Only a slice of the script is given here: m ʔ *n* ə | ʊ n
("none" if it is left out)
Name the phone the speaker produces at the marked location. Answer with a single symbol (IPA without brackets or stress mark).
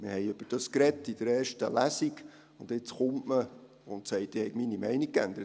m